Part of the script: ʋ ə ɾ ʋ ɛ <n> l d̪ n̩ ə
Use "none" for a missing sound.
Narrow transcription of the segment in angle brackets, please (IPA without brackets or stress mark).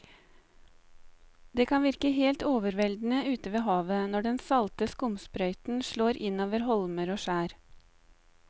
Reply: none